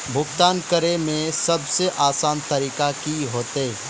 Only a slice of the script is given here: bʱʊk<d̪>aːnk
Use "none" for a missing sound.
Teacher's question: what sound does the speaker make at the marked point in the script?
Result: t̪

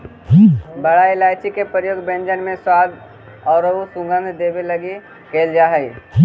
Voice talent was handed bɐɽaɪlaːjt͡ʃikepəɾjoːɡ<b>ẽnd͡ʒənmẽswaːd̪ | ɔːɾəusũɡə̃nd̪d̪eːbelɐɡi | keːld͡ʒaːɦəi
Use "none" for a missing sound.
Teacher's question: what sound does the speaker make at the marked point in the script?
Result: b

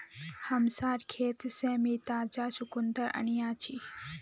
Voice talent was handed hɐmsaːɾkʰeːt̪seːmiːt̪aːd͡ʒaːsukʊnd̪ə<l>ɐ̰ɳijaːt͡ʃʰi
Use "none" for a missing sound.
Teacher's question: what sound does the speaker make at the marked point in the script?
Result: ɾ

